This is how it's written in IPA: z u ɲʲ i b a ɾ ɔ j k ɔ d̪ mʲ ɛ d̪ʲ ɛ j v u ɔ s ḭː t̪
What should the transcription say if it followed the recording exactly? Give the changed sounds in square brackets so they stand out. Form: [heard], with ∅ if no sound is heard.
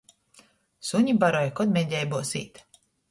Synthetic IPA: [s] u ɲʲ i b a ɾ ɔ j k ɔ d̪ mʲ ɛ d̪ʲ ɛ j [b] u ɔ s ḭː t̪